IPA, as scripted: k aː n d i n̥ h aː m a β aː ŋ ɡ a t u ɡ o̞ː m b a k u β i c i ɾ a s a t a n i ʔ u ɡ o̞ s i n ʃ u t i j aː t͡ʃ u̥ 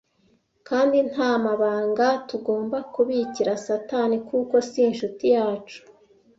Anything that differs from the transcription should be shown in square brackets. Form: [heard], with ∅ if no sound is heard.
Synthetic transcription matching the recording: k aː n d i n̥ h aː m a β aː ŋ ɡ a t u ɡ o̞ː m b a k u β i c i ɾ a s a t a n i [k] u [k] o̞ s i n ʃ u t i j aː t͡ʃ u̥